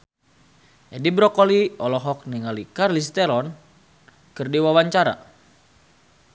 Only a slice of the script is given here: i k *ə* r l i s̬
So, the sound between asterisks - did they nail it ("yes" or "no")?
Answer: no